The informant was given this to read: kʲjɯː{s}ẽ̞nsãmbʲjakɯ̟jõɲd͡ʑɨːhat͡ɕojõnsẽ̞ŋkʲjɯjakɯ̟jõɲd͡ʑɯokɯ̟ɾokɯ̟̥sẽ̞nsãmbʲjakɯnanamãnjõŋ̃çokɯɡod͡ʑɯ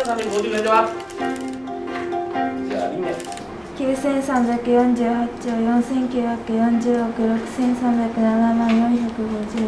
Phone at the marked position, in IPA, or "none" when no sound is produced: s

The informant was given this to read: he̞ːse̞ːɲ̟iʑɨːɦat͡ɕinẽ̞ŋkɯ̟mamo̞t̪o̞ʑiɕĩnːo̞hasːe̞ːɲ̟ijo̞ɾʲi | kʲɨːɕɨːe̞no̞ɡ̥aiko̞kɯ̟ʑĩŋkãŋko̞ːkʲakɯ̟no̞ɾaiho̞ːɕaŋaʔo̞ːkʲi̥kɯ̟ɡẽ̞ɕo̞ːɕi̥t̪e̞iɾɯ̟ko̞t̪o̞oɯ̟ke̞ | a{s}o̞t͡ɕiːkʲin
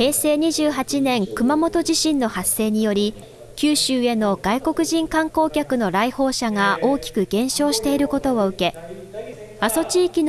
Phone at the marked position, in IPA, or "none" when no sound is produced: s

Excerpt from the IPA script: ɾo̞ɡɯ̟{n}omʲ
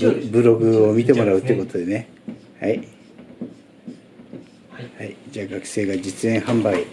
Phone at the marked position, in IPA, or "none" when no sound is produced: none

